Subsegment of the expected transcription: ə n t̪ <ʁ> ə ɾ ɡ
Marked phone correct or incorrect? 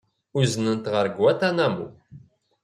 correct